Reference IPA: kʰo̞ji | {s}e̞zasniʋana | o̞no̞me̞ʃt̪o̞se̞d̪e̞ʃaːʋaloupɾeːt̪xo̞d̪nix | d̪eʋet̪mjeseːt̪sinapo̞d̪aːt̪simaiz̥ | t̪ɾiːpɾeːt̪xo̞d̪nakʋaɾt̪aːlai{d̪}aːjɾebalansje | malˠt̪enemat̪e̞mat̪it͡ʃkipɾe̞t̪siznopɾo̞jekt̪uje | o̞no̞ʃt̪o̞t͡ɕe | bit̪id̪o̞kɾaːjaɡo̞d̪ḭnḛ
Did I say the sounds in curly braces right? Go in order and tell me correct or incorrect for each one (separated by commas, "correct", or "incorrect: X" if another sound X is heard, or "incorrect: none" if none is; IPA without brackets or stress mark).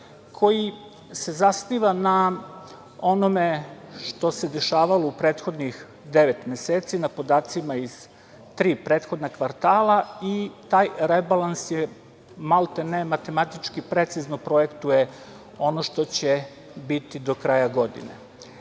correct, incorrect: t̪